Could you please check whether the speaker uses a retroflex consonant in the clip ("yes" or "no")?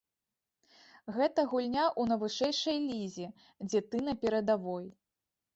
yes